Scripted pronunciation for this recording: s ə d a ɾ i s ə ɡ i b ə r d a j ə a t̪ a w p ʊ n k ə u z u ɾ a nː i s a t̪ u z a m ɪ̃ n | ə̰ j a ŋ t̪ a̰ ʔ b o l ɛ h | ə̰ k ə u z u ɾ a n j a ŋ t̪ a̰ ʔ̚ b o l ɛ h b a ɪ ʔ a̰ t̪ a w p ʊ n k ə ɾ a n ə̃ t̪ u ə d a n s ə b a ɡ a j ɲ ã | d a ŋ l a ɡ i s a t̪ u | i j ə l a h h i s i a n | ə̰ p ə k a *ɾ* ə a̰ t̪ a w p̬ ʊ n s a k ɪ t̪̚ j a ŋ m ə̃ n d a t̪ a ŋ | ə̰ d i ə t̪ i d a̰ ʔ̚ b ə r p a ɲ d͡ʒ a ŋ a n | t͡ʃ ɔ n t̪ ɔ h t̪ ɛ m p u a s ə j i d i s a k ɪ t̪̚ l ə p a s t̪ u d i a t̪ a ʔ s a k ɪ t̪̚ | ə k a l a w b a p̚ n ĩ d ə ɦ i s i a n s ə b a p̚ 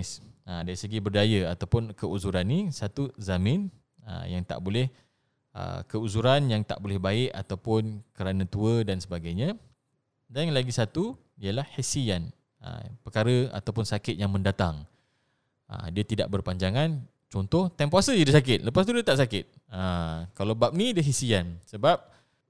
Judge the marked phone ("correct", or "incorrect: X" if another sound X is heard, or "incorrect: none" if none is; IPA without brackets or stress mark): correct